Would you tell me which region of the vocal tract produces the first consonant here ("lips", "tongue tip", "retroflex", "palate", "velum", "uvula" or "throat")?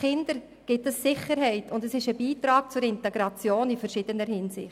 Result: uvula